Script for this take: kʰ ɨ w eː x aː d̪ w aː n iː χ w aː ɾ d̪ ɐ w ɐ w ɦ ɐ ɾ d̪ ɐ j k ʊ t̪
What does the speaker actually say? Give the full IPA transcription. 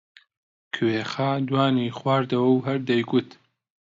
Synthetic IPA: kʰ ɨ w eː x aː d̪ w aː n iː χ w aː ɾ d̪ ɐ w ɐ w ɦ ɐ ɾ d̪ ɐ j ɡ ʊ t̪